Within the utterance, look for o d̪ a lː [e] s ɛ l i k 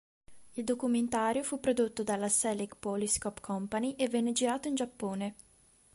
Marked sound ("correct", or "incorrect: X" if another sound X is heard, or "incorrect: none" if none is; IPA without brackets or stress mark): incorrect: a